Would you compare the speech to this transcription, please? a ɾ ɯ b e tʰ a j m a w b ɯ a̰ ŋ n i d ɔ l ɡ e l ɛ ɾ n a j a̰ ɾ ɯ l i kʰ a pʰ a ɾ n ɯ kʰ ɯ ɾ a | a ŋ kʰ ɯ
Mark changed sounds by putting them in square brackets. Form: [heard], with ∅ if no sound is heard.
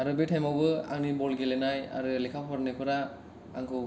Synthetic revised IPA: a ɾ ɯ b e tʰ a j m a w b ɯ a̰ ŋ n i [b] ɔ l ɡ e l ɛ [∅] n a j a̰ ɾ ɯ l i kʰ a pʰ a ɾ n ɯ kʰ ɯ ɾ a | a ŋ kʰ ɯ